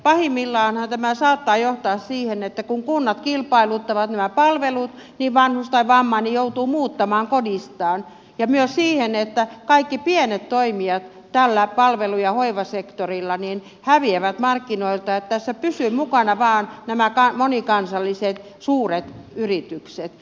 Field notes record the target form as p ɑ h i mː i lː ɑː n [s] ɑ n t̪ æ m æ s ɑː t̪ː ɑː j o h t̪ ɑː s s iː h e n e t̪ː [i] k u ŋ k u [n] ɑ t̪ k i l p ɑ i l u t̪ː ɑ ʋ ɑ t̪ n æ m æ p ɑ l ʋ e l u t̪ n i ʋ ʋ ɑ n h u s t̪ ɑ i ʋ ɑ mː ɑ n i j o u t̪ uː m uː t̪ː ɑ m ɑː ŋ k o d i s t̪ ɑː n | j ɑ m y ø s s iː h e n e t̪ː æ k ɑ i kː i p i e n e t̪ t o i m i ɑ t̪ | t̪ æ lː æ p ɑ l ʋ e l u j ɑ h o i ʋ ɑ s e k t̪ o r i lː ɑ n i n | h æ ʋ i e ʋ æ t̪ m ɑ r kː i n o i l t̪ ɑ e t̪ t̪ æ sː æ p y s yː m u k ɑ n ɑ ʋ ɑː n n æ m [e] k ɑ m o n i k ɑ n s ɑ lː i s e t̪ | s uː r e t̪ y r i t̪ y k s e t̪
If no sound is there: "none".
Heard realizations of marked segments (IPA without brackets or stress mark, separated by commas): h, æ, nː, æ